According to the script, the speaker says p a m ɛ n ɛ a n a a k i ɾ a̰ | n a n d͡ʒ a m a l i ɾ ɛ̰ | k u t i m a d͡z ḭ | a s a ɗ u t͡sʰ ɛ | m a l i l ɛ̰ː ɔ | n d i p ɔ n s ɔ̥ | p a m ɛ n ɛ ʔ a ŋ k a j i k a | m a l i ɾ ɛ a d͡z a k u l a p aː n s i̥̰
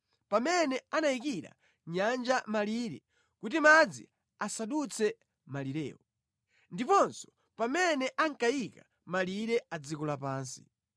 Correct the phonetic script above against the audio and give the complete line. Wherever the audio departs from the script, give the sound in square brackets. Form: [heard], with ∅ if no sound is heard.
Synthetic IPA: p a m ɛ n ɛ a n a [i] k i ɾ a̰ | [ɲ] a n d͡ʒ a m a l i ɾ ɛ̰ | k u t i m a d͡z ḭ | a s a ɗ u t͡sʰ ɛ | m a l i [ɾ] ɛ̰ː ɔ | n d i p ɔ n s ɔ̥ | p a m ɛ n ɛ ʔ a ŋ k a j i k a | m a l i ɾ ɛ a d͡z [i] k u l a p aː n s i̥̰